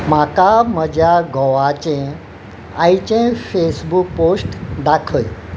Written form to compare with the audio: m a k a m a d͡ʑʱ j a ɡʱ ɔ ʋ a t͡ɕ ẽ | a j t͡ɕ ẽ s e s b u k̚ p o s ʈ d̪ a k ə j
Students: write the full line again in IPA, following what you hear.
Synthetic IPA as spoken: m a k a m ə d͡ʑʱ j a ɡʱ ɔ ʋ a t͡ɕ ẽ | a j t͡ɕ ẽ f e s b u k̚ p o s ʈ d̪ a kʰ ə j

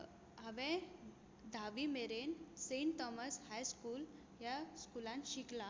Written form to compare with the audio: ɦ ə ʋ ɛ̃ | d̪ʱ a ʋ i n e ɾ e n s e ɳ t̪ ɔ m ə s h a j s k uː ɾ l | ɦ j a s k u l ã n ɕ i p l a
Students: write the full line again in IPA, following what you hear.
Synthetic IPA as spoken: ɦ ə ʋ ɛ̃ | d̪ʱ a ʋ i m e ɾ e n s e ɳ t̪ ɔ m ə s h a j s k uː l | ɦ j a s k u l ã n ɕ i k l a

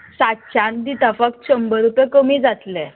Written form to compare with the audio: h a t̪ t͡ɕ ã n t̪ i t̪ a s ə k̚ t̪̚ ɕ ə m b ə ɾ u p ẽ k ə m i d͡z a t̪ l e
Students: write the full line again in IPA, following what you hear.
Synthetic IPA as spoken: s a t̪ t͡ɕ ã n d̪ i t̪ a f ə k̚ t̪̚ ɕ ə m b ə ɾ u p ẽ k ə m i d͡z a t̪ l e

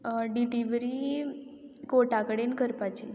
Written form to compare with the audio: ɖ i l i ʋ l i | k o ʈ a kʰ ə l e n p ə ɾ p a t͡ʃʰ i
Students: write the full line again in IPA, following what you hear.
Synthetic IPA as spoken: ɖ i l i ʋ ɾ i | k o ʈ a k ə ɽ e n k ə ɾ p a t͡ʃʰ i

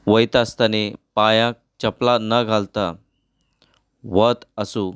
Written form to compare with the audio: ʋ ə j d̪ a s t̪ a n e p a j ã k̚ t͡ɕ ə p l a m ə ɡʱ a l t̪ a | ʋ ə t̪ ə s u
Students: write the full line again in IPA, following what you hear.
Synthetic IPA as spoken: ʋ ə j t̪ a s t̪ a n e p a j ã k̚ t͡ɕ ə p l a n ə ɡʱ a l t̪ a | ʋ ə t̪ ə s u

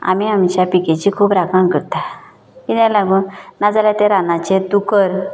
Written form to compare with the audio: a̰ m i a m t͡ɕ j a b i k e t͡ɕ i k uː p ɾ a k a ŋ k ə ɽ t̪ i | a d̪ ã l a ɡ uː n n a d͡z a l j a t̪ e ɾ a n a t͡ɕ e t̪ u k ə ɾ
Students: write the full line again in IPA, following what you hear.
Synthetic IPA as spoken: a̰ m i a m t͡ɕ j a p i k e t͡ɕ i kʰ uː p ɾ a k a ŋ k ə ɾ t̪ a | i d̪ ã l a ɡ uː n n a d͡z a l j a t̪ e ɾ a n a t͡ɕ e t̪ u k ə ɾ

